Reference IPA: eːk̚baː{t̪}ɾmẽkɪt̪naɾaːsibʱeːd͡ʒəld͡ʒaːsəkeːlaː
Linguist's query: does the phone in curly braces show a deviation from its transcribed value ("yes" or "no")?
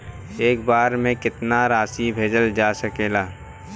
yes